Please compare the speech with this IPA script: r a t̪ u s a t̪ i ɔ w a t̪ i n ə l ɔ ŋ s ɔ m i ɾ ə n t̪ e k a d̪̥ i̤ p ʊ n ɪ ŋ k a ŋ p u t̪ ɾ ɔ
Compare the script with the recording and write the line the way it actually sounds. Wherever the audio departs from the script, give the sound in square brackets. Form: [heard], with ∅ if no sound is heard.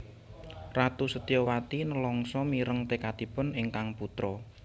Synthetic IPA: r a t̪ u s [ə] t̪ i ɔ w a t̪ i n ə l ɔ ŋ s ɔ m i ɾ ə [ŋ] t̪ e k a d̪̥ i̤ p ʊ n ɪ ŋ k a ŋ p u t̪ ɾ ɔ